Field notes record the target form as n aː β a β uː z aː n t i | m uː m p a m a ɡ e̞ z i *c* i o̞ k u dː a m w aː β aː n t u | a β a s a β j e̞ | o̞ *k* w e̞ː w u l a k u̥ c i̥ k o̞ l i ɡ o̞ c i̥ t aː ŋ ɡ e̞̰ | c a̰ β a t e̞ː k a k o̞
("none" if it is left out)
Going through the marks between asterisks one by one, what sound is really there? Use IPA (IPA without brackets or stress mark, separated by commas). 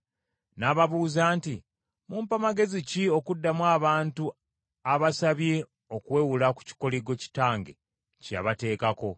c, k